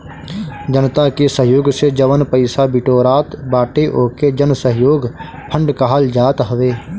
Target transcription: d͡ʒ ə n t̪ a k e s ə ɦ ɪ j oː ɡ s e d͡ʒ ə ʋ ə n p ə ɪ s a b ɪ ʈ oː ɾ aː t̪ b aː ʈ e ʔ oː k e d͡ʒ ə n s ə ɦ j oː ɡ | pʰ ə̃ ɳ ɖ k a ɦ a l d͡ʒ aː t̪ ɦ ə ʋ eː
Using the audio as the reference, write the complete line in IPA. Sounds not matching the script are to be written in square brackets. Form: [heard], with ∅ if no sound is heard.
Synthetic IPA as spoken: d͡ʒ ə n t̪ a k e s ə ɦ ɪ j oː ɡ s e d͡ʒ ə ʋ ə n p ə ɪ s a b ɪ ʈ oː ɾ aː t̪ b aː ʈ e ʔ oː k e d͡ʒ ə n s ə ɦ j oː ɡ | pʰ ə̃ ɳ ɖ k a ɦ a l d͡ʒ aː t̪ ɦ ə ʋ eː